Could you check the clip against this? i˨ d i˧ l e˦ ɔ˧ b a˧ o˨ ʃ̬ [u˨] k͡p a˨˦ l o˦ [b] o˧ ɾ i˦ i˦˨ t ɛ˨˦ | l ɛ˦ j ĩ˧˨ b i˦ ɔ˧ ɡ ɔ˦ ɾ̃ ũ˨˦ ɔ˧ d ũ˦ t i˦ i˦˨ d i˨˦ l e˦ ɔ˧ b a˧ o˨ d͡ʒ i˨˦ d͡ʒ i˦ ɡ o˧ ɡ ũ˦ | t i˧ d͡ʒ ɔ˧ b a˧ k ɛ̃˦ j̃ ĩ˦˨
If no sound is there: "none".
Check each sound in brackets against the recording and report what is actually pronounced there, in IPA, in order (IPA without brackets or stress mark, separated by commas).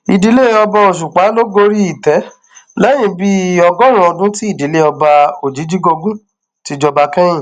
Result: u˨, ɡ